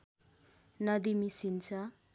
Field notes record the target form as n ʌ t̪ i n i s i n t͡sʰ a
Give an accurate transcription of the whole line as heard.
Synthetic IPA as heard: n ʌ d̪ i m i s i n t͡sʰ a